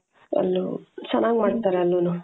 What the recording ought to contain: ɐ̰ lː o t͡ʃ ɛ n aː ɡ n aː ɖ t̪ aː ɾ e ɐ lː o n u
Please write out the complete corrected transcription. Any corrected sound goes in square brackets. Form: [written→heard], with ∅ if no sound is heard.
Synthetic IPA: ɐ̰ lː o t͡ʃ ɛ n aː ɡ [n→m] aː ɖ t̪ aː ɾ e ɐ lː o n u